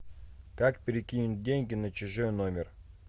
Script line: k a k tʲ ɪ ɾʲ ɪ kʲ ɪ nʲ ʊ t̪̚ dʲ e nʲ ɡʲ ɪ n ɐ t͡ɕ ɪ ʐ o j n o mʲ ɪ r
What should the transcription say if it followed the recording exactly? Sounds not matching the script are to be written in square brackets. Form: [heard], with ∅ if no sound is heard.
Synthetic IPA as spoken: k a k [pʲ] ɪ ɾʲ ɪ kʲ [i] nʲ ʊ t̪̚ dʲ e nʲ ɡʲ ɪ n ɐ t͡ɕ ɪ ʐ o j n o mʲ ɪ r

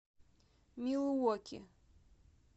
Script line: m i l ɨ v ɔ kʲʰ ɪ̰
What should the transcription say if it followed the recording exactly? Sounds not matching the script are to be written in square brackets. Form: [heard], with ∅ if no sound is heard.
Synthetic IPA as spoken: m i l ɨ [w] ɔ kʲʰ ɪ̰

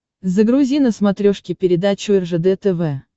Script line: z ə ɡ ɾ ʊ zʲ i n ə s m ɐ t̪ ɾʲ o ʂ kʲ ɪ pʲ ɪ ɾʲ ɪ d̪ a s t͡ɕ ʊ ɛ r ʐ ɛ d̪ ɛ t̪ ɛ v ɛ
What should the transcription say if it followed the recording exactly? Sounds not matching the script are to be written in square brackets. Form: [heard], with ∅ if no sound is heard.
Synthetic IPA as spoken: z ə ɡ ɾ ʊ zʲ i n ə s m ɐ t̪ ɾʲ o ʂ kʲ ɪ pʲ ɪ ɾʲ ɪ d̪ a [∅] t͡ɕ ʊ ɛ r ʐ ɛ d̪ ɛ t̪ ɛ v ɛ

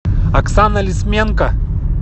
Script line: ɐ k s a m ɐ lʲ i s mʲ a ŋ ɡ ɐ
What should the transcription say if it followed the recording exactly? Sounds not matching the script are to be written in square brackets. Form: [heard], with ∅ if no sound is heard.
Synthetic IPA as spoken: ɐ k s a [n] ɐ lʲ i s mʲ [e] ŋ [k] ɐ

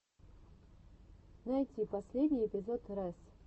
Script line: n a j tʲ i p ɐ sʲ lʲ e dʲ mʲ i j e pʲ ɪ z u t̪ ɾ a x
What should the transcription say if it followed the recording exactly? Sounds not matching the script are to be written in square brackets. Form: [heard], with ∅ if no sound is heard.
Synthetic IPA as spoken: n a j tʲ i p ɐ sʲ lʲ e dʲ [nʲ] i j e pʲ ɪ z [o] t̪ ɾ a [s]

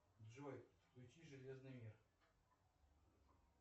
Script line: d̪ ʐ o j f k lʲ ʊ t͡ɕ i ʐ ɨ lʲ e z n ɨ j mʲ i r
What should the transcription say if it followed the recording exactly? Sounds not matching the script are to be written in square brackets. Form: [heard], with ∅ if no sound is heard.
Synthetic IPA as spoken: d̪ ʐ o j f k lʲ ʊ t͡ɕ i ʐ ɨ lʲ e z n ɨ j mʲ i r

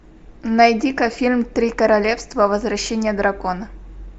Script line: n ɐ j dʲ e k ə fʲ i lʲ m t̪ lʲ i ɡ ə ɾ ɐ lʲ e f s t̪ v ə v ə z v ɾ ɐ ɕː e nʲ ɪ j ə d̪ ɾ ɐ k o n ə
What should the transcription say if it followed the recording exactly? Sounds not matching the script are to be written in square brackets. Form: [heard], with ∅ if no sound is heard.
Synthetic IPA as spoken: n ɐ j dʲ [i] k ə fʲ i lʲ m t̪ [ɾʲ] i [k] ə ɾ ɐ lʲ e f s t̪ v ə v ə z v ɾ ɐ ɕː e nʲ ɪ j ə d̪ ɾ ɐ k o n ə

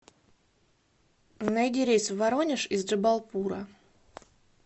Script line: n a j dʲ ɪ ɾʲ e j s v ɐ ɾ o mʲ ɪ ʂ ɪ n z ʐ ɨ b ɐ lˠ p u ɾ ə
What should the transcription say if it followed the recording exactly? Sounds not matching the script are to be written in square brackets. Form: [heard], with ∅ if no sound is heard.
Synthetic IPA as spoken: n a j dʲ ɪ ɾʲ e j s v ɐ ɾ o [nʲ] ɪ ʂ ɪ [∅] z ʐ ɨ b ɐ lˠ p u ɾ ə

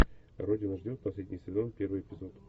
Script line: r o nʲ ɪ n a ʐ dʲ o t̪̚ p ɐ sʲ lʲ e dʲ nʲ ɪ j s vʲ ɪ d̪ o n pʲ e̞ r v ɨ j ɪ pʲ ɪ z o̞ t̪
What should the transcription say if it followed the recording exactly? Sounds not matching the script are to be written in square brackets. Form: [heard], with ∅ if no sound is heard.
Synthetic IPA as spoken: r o [dʲ] ɪ n [ə] ʐ dʲ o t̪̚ p ɐ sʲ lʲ e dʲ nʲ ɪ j s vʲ ɪ d̪ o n pʲ e̞ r v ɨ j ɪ pʲ ɪ z o̞ t̪

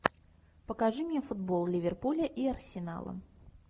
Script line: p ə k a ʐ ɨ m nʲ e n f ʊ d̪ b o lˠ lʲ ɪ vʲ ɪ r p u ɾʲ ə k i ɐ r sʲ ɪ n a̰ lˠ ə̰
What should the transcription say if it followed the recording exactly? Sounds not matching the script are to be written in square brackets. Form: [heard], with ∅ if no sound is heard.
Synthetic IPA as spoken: p ə k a ʐ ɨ m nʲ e [∅] f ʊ d̪ b o lˠ lʲ ɪ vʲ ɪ r p u [lʲ] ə [ʔ] i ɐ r sʲ ɪ n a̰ lˠ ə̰

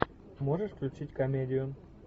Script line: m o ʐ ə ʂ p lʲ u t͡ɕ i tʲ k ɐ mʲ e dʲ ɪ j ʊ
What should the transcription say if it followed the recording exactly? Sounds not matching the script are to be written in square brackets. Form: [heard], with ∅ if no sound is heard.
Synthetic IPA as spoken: m o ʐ ə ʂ [k] lʲ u t͡ɕ i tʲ k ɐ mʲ e dʲ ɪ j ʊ

